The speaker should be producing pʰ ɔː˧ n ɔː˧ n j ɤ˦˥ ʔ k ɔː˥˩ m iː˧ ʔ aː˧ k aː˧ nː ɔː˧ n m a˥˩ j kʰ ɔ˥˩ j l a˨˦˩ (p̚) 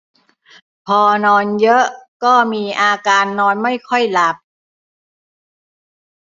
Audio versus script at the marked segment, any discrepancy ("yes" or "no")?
no